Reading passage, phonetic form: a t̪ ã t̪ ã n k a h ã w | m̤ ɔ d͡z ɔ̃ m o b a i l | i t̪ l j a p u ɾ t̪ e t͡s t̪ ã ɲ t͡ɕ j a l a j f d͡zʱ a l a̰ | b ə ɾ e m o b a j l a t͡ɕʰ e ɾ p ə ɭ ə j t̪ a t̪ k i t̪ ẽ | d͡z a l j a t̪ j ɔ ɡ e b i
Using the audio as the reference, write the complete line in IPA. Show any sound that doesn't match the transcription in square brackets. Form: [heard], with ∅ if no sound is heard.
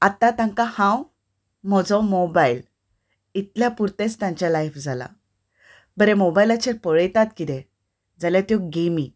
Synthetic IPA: a t̪ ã t̪ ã [ŋ] k a h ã w | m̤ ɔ d͡z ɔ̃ m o b a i l | i t̪ l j a p u ɾ t̪ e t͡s t̪ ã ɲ t͡ɕ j a l a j f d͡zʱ a l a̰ | b ə ɾ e m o b a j l a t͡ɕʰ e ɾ p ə ɭ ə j t̪ a t̪ k i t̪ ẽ | d͡z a l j a t̪ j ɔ ɡ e [m] i